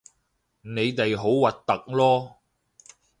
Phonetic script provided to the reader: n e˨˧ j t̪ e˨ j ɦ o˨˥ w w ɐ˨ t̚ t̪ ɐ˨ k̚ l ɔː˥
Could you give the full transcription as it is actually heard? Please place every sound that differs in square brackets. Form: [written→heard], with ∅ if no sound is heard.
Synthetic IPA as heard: n e˨˧ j t̪ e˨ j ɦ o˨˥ w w ɐ˨ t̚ t̪ ɐ˨ k̚ l ɔː˥